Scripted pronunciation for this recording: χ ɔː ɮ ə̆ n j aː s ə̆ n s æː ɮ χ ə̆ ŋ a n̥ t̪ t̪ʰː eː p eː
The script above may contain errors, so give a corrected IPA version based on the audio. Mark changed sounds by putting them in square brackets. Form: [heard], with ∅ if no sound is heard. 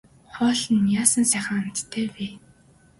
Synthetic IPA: χ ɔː ɮ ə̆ n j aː s ə̆ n s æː [∅] χ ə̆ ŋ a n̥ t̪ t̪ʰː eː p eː